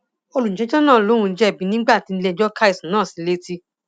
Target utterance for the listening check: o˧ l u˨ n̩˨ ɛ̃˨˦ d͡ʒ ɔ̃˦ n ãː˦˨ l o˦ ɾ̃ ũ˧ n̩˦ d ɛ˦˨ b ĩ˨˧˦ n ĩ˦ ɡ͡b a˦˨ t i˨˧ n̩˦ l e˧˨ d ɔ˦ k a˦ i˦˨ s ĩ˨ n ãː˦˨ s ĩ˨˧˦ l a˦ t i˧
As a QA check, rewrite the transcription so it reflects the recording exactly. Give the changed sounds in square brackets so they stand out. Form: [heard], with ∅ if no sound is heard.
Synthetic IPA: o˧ l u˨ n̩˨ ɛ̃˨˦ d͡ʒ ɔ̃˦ n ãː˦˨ l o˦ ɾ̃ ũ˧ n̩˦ [d͡ʒ] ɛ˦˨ b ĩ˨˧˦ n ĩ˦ ɡ͡b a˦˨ t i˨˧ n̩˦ l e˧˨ [d͡ʒ] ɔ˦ k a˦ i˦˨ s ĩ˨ n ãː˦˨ s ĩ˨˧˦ l [e˦] t i˧